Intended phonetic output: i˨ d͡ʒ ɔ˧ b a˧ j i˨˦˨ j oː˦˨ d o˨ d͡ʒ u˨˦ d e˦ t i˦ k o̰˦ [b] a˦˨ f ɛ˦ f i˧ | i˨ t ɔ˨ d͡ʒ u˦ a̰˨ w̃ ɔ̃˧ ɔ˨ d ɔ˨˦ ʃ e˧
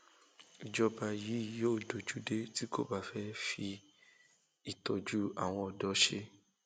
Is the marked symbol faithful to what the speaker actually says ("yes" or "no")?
yes